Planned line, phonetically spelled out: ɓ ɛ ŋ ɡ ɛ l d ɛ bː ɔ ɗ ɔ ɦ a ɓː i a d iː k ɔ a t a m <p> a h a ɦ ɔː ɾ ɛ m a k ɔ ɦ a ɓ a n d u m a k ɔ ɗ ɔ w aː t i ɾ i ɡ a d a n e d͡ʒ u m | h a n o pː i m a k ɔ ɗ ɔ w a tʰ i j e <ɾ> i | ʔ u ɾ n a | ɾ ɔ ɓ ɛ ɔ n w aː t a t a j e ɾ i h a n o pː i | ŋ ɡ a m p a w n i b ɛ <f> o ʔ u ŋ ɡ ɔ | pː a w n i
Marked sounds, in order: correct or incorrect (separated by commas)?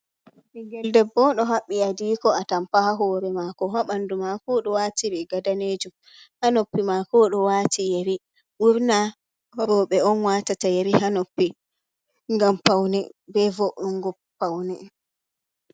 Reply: correct, correct, incorrect